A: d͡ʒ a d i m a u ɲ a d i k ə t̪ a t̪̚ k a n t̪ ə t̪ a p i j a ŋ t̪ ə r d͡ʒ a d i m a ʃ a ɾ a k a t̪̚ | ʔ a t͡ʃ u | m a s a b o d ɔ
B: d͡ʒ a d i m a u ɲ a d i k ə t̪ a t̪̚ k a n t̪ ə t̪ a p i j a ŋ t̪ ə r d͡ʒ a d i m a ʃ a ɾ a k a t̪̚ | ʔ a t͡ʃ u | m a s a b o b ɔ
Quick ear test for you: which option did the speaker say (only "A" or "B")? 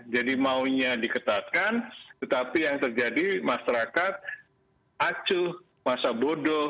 A